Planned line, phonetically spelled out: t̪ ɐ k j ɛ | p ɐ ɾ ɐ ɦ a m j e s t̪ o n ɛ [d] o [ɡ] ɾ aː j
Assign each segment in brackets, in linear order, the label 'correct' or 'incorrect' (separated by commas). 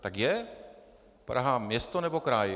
incorrect, incorrect